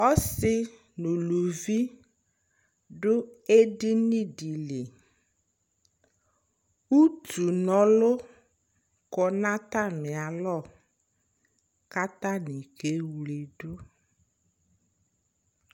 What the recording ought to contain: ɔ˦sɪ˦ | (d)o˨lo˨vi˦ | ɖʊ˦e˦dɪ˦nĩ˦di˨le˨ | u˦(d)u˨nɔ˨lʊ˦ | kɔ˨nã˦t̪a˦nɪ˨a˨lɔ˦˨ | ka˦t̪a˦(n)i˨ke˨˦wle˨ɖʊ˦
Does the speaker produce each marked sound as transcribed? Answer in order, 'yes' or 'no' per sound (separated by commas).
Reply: no, no, yes